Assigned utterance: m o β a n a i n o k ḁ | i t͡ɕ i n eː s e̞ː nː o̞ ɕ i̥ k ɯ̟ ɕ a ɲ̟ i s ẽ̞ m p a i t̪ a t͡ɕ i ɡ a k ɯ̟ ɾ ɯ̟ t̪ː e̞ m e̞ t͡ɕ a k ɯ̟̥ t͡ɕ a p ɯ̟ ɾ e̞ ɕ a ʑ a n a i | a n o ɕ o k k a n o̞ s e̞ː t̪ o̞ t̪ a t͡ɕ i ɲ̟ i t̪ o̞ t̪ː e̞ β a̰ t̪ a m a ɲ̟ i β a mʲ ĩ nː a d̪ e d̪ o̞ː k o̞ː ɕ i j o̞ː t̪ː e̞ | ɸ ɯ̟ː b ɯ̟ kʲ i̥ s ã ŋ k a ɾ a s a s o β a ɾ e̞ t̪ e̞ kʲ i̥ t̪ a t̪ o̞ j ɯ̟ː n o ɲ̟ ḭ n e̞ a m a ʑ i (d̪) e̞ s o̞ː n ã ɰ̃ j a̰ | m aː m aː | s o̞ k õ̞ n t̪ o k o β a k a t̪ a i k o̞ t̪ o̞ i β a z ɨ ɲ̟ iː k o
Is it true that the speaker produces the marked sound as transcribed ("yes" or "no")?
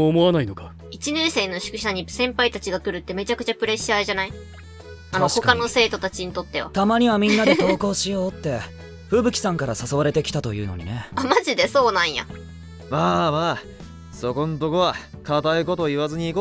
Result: yes